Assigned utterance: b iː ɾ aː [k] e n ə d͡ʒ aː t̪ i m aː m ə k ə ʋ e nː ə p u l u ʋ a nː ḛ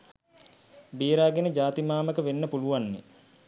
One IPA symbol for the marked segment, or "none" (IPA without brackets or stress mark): ɡ